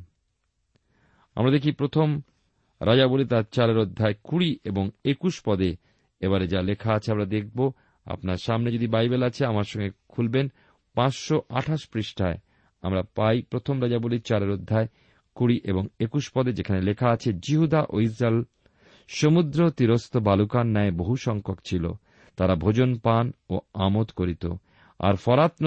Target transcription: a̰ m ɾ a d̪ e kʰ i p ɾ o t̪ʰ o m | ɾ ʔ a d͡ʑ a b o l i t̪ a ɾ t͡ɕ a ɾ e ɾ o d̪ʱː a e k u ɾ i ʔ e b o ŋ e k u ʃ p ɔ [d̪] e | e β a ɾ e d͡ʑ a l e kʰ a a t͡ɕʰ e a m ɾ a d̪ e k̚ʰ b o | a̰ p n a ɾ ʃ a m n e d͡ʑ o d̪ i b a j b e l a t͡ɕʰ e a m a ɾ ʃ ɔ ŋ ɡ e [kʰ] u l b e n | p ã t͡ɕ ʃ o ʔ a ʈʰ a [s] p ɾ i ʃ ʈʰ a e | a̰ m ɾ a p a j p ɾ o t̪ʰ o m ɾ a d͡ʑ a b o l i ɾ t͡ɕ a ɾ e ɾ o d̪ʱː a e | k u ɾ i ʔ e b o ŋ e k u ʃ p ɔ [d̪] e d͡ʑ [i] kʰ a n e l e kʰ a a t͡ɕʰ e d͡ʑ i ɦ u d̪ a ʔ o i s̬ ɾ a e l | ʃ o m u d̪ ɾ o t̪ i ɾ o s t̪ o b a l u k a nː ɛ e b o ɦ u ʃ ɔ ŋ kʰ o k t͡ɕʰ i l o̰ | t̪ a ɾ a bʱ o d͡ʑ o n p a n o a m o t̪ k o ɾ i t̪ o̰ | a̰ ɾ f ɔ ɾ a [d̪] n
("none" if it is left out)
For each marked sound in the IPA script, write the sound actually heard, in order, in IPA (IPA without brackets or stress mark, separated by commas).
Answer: d̪, kʰ, ʃ, d̪, e, t̪